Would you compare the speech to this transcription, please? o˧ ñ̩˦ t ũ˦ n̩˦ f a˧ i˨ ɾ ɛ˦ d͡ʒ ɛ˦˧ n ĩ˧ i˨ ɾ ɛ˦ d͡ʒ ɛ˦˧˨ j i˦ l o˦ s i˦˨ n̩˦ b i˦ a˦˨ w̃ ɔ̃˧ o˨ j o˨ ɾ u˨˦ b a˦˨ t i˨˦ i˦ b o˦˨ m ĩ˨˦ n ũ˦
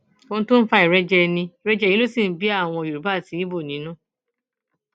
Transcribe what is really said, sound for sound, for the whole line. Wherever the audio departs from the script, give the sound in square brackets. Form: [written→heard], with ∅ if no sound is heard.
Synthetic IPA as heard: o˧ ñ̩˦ t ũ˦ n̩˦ f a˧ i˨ ɾ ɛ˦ d͡ʒ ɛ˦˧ n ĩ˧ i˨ ɾ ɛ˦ d͡ʒ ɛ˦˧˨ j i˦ l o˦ s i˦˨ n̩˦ b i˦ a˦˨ w̃ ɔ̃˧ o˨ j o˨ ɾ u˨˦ b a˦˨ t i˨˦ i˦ b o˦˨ [m→n] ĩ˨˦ n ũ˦

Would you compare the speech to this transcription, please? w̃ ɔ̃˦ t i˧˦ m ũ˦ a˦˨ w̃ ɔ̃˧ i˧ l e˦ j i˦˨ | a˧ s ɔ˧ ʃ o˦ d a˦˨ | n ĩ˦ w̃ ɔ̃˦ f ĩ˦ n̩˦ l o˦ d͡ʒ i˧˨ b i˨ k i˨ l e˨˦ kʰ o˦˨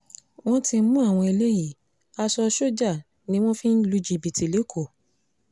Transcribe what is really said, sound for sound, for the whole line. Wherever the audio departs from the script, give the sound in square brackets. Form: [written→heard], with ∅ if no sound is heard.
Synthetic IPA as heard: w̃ ɔ̃˦ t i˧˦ m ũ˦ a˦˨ w̃ ɔ̃˧ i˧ l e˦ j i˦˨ | a˧ s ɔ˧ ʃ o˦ [d→d͡ʒ] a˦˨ | n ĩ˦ w̃ ɔ̃˦ f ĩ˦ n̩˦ l [o˦→u˦] d͡ʒ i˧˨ b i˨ [k→t] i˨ l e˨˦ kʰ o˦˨

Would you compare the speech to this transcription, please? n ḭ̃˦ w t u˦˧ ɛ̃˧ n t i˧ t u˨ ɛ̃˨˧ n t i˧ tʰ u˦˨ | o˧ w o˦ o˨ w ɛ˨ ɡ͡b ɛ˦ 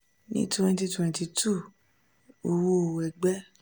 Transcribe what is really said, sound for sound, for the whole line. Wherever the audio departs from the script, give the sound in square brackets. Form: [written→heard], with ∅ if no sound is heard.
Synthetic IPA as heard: n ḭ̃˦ [w→∅] t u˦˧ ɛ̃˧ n t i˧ t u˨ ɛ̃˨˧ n t i˧ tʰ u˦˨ | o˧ w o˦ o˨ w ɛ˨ ɡ͡b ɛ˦

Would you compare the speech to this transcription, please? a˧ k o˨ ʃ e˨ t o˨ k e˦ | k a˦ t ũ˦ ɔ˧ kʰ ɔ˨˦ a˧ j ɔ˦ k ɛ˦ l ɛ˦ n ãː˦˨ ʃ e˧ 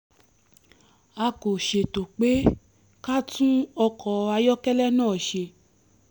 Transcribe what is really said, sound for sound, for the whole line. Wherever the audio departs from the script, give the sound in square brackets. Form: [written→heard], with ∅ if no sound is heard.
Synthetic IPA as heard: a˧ k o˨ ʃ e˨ t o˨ [k→k͡p] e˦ | k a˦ t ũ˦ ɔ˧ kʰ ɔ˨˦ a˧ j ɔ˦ k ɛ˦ l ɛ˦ n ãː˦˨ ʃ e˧

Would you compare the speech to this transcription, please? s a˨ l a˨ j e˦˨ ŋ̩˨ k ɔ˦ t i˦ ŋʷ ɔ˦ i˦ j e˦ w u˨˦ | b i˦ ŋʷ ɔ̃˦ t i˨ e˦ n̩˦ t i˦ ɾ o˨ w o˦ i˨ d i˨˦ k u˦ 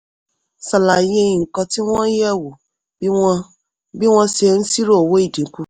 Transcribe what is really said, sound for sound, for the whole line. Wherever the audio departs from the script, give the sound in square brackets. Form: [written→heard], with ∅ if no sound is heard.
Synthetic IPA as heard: s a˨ l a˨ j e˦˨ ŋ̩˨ k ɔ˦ t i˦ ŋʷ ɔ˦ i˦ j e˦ w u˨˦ | b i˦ ŋʷ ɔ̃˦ [t→s] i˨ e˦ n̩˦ [t→s] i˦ ɾ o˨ w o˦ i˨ d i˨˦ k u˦

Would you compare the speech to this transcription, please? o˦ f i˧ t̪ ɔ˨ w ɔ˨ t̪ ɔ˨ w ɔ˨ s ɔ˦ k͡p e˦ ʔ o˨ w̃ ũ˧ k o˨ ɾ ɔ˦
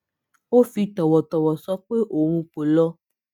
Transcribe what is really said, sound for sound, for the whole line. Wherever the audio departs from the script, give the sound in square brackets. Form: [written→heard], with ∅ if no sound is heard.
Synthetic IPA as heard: o˦ f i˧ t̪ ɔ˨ w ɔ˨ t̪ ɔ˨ w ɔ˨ s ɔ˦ k͡p e˦ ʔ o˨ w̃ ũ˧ [k→k͡p] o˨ [ɾ→l] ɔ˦

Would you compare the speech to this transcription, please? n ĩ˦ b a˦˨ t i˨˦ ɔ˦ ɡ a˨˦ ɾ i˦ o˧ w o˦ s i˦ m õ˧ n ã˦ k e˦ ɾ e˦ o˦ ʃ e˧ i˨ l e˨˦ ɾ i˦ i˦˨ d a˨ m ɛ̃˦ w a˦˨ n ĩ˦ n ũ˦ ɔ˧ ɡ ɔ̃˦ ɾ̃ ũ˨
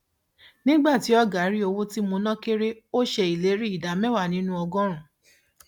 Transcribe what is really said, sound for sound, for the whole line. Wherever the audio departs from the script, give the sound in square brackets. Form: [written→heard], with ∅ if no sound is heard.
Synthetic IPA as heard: n ĩ˦ [b→ɡ͡b] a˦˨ t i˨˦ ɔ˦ ɡ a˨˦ ɾ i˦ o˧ w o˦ [s→t] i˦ m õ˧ n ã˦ k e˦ ɾ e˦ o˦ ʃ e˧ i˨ l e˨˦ ɾ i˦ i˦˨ d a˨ m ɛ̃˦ w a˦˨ n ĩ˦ n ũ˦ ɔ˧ ɡ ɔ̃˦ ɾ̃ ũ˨

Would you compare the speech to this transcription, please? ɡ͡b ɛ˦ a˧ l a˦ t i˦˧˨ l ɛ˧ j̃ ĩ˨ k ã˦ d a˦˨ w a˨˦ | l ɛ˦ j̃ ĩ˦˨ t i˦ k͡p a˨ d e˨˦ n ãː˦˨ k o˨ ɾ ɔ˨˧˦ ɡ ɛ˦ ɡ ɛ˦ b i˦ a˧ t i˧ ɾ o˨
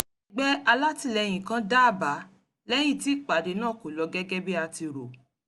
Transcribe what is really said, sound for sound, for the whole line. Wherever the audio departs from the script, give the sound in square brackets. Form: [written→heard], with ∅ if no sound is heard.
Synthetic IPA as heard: ɡ͡b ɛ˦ a˧ l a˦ t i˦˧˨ l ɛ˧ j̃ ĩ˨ k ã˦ d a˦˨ [w→b] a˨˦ | l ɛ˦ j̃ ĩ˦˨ t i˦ k͡p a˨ d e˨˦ n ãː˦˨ k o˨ [ɾ→l] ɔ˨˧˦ ɡ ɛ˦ ɡ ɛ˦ b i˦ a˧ t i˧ ɾ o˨

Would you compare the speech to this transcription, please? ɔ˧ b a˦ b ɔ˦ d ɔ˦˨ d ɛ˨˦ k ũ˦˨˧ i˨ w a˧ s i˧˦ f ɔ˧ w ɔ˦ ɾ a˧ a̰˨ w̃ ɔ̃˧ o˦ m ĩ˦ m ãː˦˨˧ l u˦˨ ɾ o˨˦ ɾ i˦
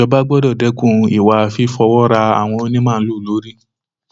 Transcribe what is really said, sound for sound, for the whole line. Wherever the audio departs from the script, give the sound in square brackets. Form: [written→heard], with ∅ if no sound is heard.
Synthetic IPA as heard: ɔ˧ b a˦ [b→ɡ͡b] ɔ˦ d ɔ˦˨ d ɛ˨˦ k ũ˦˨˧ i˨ w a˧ [s→f] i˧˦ f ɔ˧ w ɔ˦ ɾ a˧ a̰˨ w̃ ɔ̃˧ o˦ [m→n] ĩ˦ m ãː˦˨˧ l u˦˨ [ɾ→l] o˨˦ ɾ i˦

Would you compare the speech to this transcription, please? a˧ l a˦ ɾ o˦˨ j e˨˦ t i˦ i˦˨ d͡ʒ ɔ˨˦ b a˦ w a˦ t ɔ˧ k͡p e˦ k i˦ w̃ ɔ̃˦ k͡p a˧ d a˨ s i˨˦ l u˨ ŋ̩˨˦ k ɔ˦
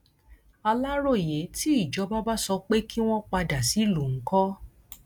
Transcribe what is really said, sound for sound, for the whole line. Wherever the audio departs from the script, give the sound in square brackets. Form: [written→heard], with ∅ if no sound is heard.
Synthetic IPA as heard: a˧ l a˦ ɾ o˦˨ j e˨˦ t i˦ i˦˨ d͡ʒ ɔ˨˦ b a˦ [w→b] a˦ [t→s] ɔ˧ k͡p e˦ k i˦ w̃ ɔ̃˦ k͡p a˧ d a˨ s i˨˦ l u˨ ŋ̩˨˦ k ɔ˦

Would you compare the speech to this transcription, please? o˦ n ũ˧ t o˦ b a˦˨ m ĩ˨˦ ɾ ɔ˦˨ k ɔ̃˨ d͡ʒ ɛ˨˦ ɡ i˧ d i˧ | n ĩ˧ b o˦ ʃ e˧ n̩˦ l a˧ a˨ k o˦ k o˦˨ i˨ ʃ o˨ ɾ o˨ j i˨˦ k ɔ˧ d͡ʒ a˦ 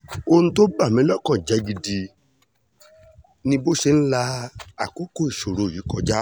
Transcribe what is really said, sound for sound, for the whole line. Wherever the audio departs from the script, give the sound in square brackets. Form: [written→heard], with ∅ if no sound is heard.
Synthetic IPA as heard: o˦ n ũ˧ t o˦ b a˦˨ m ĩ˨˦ [ɾ→l] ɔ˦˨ k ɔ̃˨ d͡ʒ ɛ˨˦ ɡ i˧ d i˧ | n ĩ˧ b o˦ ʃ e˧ n̩˦ l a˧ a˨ k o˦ k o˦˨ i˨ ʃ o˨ ɾ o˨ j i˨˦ k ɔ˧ d͡ʒ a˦

